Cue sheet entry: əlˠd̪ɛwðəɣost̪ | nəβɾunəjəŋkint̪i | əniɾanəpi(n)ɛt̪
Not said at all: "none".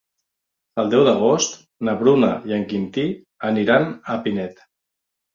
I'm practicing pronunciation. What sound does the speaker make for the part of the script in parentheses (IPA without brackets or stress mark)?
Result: n